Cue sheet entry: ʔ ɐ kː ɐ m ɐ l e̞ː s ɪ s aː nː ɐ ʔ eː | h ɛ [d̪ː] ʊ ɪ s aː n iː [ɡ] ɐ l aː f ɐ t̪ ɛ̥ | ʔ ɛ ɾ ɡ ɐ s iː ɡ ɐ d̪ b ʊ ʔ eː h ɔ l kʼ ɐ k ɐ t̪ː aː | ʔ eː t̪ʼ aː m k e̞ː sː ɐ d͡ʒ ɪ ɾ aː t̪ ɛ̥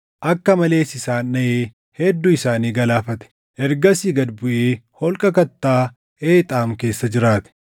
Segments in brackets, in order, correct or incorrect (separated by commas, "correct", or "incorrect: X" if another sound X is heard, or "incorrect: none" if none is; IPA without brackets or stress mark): correct, correct